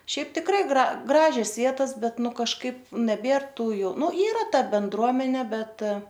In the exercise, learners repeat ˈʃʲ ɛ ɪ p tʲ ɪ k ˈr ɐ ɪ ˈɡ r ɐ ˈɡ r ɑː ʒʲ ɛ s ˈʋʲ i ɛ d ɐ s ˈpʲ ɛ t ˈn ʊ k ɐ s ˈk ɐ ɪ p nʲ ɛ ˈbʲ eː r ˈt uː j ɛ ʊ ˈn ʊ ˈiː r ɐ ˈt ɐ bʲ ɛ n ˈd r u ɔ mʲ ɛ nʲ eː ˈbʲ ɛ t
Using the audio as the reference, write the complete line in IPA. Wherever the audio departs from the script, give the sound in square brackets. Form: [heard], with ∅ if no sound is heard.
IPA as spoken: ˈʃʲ ɛ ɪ p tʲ ɪ k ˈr ɐ ɪ ˈɡ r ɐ ˈɡ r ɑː ʒʲ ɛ s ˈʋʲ i ɛ [t] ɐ s [ˈbʲ] ɛ t ˈn ʊ k ɐ [ʃ] ˈk ɐ ɪ p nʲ ɛ ˈbʲ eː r ˈt uː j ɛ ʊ ˈn ʊ ˈiː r ɐ ˈt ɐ bʲ ɛ n ˈd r u ɔ mʲ ɛ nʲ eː ˈbʲ ɛ t